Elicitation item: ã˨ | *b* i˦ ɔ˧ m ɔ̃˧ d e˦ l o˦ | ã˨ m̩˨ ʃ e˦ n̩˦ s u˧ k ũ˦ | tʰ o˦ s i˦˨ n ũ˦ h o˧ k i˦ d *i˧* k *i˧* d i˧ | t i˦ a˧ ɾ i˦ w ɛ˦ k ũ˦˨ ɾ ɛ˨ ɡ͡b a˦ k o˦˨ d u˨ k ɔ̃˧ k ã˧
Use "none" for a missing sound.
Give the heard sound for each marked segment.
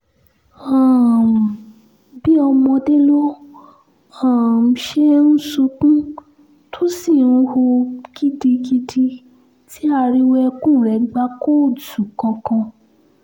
b, i˧, i˧

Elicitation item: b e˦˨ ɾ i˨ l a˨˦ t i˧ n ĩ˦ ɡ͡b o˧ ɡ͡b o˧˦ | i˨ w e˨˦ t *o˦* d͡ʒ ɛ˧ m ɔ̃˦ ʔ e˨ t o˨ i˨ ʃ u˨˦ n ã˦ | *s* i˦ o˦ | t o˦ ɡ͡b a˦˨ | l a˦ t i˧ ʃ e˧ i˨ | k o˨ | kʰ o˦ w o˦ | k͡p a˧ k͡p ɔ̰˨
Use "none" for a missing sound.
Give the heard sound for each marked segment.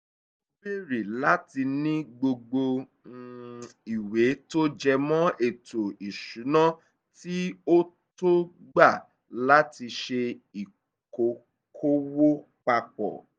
o˦, t

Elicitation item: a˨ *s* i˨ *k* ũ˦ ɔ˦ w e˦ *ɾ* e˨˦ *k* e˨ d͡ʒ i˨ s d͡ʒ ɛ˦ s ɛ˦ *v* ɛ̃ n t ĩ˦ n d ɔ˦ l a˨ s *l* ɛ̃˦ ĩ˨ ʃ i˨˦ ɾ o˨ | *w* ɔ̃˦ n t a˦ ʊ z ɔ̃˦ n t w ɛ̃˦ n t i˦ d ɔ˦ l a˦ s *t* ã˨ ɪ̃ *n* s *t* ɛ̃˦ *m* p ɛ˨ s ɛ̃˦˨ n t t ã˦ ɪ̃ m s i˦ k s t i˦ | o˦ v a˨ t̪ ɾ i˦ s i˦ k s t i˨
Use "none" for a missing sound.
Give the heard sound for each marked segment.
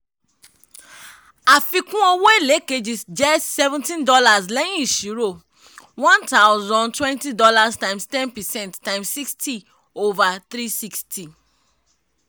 f, k, l, k, v, l, w, t, m, t, n

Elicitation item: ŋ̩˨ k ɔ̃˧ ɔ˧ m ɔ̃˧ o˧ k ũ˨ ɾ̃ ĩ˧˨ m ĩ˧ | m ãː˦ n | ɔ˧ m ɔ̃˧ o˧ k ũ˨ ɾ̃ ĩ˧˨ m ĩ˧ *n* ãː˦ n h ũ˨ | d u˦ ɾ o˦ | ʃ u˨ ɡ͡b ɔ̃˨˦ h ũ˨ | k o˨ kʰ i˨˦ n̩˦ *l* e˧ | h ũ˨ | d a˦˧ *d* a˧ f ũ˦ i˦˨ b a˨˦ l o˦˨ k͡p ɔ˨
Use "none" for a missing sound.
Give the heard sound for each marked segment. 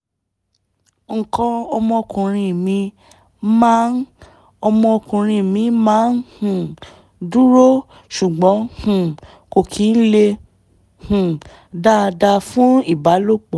m, l, d

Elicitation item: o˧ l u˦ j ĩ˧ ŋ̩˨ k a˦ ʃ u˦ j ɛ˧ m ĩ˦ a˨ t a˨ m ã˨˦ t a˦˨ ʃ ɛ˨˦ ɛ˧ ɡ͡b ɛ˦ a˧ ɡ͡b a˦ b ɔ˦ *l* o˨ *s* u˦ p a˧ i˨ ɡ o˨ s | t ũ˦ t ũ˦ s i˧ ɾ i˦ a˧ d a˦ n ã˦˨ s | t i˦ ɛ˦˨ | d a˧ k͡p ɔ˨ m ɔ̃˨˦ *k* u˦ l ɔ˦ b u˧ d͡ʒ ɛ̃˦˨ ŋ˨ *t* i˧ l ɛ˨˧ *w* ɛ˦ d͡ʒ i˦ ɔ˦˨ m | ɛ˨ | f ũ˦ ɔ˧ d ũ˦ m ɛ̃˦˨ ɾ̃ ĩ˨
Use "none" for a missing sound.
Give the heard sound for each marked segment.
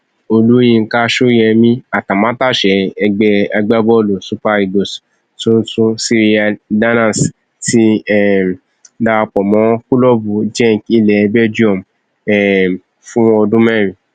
l, s, k, k, b

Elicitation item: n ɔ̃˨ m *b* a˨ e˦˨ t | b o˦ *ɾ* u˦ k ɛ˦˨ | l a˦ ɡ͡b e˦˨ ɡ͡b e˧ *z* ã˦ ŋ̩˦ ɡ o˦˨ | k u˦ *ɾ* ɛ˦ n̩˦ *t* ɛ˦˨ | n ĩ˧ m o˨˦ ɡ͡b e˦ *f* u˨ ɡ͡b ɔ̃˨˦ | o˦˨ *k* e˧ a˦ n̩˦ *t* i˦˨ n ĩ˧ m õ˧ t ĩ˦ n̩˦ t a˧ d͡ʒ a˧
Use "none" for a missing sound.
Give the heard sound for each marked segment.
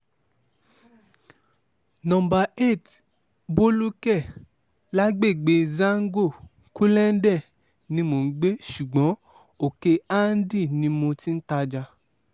b, l, z, l, d, ʃ, k, d

